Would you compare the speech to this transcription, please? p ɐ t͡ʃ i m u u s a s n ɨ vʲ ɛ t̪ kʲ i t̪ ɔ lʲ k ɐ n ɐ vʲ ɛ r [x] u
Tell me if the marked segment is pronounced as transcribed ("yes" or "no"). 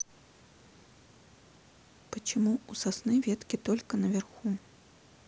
yes